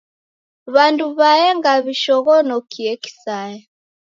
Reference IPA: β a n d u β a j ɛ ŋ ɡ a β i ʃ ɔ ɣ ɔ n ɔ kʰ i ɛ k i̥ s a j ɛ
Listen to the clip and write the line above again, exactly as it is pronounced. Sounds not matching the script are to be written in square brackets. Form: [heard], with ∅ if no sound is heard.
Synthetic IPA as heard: β a n d u β a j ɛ ŋ ɡ a β i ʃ ɔ ɣ ɔ n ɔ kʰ i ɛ k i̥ s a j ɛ